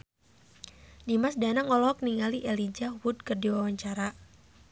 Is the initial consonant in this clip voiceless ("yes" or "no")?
no